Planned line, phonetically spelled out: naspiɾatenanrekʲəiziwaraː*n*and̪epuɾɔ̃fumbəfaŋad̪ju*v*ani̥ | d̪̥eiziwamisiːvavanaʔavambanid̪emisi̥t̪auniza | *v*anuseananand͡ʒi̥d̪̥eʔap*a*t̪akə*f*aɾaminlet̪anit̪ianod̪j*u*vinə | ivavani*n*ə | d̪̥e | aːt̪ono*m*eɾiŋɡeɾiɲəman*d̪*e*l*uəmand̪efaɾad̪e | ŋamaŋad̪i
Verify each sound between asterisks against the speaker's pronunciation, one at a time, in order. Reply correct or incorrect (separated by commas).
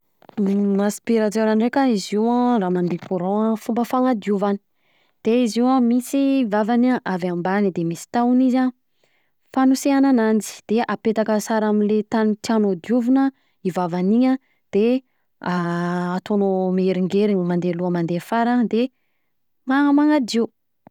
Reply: incorrect, correct, incorrect, incorrect, incorrect, correct, incorrect, correct, correct, correct